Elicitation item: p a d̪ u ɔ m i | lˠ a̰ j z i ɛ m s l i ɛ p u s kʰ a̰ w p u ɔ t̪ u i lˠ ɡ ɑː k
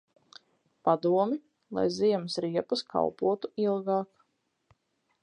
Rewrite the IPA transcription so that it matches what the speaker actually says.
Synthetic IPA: p a d̪ u ɔ m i | lˠ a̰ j z i ɛ m s ɾ i ɛ p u s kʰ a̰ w p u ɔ t̪ u i lˠ ɡ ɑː k